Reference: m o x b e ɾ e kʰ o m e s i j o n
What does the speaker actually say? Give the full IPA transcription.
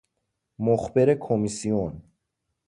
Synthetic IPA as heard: m o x b e ɾ e kʰ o m i s i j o n